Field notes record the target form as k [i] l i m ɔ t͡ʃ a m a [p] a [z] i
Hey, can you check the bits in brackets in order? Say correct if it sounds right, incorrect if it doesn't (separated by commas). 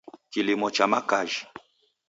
correct, incorrect, incorrect